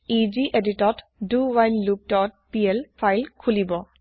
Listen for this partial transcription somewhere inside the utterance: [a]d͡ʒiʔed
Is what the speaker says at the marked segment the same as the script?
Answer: no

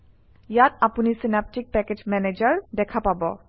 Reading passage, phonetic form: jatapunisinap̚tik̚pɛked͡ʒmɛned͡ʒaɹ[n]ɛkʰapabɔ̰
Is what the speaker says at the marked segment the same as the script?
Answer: no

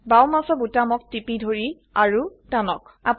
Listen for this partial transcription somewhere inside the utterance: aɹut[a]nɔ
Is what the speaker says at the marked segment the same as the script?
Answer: yes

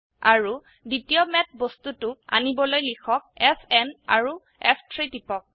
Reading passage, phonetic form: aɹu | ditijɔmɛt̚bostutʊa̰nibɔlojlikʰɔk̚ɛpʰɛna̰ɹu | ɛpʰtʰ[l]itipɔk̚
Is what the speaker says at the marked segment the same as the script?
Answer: no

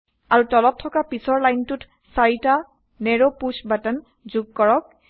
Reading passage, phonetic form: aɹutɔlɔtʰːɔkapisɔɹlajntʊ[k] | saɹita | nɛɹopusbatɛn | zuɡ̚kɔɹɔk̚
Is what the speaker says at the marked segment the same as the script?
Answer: no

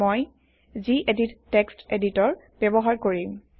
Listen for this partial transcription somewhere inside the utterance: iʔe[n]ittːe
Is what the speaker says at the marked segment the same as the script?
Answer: no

